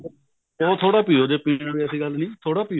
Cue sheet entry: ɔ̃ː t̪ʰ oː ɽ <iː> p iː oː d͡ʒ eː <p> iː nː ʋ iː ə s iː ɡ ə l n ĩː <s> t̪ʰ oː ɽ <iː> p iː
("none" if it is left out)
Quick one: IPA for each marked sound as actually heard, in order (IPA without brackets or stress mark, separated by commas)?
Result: aː, p, none, aː